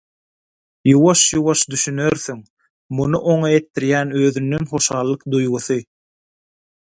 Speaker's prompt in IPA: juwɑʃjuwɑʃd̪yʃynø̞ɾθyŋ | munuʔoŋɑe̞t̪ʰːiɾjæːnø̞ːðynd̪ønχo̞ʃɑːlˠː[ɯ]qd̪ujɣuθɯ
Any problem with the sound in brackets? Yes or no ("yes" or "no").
no